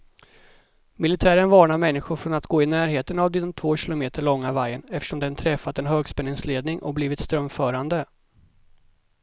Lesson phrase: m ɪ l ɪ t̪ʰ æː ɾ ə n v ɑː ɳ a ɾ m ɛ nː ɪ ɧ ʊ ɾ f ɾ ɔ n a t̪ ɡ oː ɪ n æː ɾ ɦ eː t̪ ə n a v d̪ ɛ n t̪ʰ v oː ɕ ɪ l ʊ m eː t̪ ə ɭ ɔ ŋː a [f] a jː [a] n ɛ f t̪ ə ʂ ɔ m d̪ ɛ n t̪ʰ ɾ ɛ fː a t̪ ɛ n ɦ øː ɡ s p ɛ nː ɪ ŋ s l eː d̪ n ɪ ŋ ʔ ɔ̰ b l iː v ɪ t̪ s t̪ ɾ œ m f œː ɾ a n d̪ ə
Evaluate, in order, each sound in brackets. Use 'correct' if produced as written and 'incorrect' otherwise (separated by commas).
incorrect, incorrect